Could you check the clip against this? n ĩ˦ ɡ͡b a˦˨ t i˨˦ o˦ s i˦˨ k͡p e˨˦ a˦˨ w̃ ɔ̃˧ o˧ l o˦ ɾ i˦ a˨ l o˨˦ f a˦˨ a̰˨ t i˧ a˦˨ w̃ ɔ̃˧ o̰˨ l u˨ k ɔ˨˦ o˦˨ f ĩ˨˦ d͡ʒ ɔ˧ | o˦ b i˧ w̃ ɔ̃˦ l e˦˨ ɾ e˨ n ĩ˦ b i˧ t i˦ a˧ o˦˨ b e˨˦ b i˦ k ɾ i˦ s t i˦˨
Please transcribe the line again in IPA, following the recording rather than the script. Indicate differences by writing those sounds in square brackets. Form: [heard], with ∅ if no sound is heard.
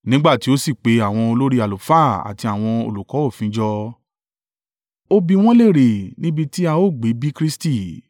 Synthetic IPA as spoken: n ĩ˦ ɡ͡b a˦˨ t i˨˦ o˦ s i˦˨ k͡p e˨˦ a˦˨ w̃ ɔ̃˧ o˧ l o˦ ɾ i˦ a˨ l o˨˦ f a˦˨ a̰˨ t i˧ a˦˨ w̃ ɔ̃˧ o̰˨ l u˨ k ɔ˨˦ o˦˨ f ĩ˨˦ d͡ʒ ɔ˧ | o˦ b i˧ w̃ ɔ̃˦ l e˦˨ ɾ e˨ n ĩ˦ b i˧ t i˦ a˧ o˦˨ [ɡ͡b] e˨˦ b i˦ k ɾ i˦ s t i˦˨